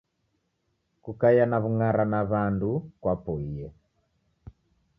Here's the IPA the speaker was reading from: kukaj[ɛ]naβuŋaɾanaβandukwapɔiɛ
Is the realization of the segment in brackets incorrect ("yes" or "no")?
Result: yes